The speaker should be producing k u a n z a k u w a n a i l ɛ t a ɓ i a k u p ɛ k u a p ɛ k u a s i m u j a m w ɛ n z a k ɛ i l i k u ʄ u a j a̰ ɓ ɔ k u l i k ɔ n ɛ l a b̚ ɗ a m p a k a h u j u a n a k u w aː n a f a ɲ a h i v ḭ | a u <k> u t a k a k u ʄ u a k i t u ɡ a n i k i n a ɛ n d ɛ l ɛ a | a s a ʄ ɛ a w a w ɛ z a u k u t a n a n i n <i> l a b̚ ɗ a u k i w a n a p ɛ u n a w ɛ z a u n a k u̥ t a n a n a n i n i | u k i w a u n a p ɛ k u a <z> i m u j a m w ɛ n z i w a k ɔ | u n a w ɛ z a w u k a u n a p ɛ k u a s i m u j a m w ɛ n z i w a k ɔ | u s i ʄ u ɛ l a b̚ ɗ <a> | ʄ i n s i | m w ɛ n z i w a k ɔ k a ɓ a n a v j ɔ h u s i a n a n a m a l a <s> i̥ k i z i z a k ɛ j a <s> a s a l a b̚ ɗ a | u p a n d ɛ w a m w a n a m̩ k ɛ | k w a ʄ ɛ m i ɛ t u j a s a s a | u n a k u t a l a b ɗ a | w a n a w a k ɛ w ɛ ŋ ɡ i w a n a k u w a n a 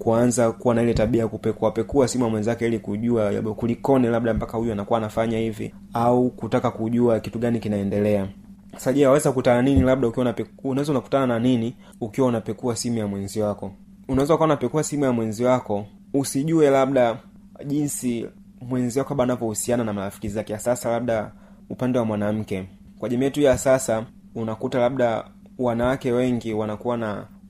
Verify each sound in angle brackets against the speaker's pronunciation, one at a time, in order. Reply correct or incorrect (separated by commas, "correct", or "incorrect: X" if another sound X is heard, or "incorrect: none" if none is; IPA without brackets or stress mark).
correct, correct, incorrect: s, correct, incorrect: f, correct